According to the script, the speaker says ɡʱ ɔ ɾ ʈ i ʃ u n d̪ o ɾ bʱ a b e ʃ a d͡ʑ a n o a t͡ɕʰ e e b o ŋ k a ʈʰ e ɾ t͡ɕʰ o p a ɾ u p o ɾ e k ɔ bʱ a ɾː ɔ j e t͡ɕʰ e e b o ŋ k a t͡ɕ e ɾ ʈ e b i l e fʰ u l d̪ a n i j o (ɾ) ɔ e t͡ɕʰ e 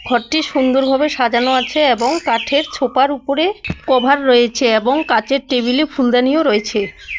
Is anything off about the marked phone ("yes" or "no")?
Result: no